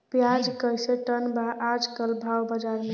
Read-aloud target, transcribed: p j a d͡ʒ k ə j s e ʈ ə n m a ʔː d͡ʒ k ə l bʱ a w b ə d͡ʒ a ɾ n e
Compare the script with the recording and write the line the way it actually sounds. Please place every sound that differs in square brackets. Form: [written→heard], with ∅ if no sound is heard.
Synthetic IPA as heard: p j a d͡ʒ k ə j s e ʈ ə n [m→b] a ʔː d͡ʒ k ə l bʱ a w b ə d͡ʒ a ɾ [n→m] e